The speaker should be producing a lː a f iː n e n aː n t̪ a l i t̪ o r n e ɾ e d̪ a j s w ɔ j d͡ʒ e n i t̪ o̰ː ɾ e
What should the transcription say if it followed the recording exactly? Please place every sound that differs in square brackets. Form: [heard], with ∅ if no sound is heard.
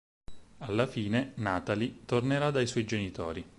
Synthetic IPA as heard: a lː a f iː n e n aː [∅] t̪ a l i t̪ o r n e ɾ [a] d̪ a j s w ɔ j d͡ʒ e n i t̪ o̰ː ɾ [i]

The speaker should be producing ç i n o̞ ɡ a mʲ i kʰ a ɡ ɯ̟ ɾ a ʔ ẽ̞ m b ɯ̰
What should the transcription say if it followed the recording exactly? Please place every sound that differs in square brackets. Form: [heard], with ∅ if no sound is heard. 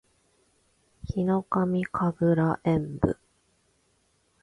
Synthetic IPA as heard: ç i n o̞ [k] a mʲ i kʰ a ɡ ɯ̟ ɾ a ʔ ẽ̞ m b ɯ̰

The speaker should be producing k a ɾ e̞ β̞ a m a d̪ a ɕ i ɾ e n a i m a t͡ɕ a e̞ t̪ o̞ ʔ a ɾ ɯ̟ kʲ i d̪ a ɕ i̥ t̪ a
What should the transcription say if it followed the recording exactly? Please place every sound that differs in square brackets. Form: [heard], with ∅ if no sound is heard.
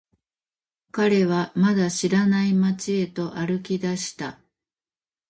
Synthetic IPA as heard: k a ɾ e̞ β̞ a m a d̪ a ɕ i ɾ [a] n a i m a t͡ɕ [i] e̞ t̪ o̞ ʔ a ɾ ɯ̟ kʲ i d̪ a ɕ i̥ t̪ a

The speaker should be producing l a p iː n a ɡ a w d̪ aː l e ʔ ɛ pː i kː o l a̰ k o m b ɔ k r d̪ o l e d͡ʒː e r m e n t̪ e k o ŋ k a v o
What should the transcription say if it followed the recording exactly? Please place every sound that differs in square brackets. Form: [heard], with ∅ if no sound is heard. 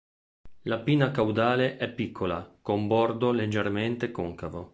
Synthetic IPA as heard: l a p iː n a [k] a w d̪ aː l e ʔ ɛ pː i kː o l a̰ k o m b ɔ [∅] r d̪ o l e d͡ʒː e r m e n t̪ e k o ŋ k a v o

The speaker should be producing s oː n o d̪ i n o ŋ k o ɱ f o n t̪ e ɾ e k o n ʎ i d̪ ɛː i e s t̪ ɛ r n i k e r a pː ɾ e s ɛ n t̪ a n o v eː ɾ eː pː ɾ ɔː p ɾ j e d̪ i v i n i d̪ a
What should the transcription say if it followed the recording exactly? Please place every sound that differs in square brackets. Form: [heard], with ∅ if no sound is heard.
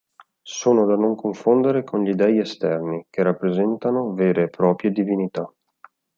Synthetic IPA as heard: s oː n o d̪ [a] n o ŋ k o ɱ f o n [d̪] e ɾ e k o n ʎ i d̪ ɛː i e s t̪ ɛ r n i k e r a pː ɾ e [z] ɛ n t̪ a n o v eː ɾ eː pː ɾ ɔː p ɾ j e d̪ i v i n i [t̪] a

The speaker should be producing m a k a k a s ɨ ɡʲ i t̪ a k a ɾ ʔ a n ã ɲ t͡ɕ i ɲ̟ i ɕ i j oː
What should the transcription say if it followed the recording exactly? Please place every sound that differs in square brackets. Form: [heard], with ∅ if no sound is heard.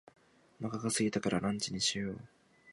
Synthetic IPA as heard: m a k a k a s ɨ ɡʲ i t̪ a k a ɾ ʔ a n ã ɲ t͡ɕ i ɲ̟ i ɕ i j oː

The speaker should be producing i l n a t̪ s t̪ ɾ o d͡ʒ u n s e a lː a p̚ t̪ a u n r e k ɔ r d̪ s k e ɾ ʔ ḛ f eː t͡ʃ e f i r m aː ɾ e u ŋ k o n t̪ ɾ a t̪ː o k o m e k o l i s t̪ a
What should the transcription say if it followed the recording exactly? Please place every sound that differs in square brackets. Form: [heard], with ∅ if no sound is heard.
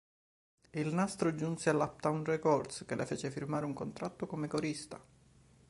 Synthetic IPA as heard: i l n a [∅] s t̪ ɾ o d͡ʒ u n s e a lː a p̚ t̪ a u n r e k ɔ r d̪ s k e [l] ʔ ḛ f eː t͡ʃ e f i r m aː ɾ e u ŋ k o n t̪ ɾ a t̪ː o k o m e k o [ɾ] i s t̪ a

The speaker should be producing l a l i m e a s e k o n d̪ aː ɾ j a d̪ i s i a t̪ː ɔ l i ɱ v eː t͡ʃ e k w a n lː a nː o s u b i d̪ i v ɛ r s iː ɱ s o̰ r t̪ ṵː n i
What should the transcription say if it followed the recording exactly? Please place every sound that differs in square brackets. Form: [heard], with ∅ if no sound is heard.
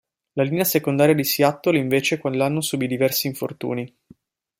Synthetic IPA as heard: l a l i [n] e a s e k o n d̪ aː ɾ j a d̪ i s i a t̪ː [o] l i ɱ v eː t͡ʃ e k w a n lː a nː o s u b i d̪ i v ɛ r s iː ɱ [f] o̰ r t̪ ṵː n i

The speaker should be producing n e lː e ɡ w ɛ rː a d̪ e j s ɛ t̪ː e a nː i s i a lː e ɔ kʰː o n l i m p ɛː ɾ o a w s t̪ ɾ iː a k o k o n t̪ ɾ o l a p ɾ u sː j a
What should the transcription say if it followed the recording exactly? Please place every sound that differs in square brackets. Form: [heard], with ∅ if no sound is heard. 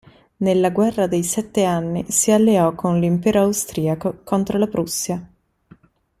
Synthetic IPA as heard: n e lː [a] ɡ w ɛ rː a d̪ e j s ɛ t̪ː e a nː i s i a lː e ɔ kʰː o n l i m p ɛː ɾ o a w s t̪ ɾ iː a k o k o n t̪ ɾ o l a p ɾ u sː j a

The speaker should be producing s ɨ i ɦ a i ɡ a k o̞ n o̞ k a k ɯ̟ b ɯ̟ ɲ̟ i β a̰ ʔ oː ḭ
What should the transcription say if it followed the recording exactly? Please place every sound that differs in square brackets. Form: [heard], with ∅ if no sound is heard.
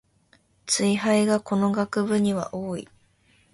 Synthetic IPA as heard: [t͡s] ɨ i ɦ a i ɡ a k o̞ n o̞ [ɡ] a k ɯ̟ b ɯ̟ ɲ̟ i β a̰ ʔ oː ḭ

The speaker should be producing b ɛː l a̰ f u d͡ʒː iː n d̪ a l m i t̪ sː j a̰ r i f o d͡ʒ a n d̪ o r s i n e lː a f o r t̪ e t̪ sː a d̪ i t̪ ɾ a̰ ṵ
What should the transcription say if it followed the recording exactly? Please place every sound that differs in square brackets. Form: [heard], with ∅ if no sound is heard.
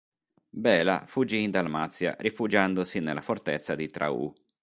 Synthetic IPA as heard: b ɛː l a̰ f u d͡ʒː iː n d̪ a l m [a] t̪ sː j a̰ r i f [u] d͡ʒ a n d̪ o [∅] s i n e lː a f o r t̪ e t̪ sː a d̪ i t̪ ɾ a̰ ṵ

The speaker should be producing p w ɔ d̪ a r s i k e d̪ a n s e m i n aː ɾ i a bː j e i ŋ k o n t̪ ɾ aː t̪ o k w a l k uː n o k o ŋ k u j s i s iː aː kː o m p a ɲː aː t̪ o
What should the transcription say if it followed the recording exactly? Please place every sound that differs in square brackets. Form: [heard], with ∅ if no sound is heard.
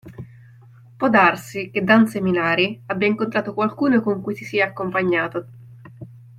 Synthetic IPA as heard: p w ɔ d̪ a r s i k e d̪ a n s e m i n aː ɾ i a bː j [a] i ŋ k o n t̪ ɾ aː t̪ o k w a l k uː n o k o ŋ k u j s i s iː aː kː o m p a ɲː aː t̪ o

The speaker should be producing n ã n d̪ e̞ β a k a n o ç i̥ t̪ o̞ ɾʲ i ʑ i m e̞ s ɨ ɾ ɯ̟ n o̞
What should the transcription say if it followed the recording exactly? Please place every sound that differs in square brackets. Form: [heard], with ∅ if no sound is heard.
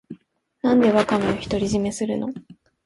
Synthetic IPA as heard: n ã n d̪ e̞ β a k a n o ç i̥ t̪ o̞ ɾʲ i ʑ i m e̞ s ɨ ɾ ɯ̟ n o̞

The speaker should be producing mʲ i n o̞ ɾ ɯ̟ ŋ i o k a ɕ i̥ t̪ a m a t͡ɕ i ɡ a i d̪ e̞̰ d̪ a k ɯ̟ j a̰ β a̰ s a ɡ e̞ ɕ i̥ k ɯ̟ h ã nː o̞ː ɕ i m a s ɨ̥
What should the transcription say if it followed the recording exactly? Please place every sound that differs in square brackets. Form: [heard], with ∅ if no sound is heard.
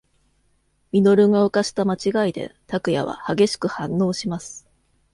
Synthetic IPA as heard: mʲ i n o̞ ɾ ɯ̟ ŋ [a] o k a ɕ i̥ t̪ a m a t͡ɕ i ɡ a i d̪ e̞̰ [t̪] a k ɯ̟ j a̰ β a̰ [h] a ɡ e̞ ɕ i̥ k ɯ̟ h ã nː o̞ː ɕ i m a s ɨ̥

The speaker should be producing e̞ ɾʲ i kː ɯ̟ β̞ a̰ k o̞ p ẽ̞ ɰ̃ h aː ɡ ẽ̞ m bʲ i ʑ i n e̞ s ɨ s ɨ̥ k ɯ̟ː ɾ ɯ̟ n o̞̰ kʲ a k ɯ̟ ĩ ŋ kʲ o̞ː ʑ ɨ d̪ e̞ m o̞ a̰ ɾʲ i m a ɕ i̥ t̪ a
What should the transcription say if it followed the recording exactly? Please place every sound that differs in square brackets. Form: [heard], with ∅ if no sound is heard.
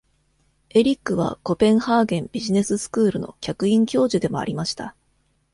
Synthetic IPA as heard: e̞ ɾʲ i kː ɯ̟ β̞ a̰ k o̞ p ẽ̞ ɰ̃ h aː ɡ ẽ̞ m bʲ i ʑ i n e̞ s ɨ s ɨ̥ k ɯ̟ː ɾ ɯ̟ n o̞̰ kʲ a k ɯ̟ ĩ ŋ kʲ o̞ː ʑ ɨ d̪ e̞ m o̞ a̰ ɾʲ i m a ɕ i̥ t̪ a

